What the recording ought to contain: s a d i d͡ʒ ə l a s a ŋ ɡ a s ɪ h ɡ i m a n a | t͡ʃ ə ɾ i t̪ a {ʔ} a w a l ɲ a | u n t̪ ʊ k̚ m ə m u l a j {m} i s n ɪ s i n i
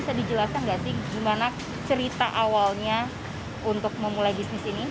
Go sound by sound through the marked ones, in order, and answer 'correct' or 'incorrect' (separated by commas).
correct, incorrect